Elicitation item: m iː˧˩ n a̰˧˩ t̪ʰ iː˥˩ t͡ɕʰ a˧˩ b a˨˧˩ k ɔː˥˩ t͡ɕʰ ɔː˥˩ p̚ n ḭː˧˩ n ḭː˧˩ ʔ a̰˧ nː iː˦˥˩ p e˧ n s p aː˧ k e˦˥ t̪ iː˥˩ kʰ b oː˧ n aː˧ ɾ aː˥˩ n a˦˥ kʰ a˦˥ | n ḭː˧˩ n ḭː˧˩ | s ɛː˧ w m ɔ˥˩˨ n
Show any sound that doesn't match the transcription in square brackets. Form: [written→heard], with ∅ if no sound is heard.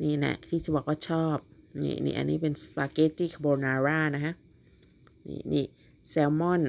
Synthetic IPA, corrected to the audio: [m→n] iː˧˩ n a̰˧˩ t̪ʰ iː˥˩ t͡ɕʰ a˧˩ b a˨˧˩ k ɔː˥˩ t͡ɕʰ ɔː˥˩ p̚ n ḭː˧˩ n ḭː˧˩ ʔ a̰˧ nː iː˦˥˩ p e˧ n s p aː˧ k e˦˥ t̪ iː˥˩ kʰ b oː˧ n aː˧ ɾ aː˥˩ n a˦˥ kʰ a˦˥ | n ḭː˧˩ n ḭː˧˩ | s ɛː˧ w m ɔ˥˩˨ n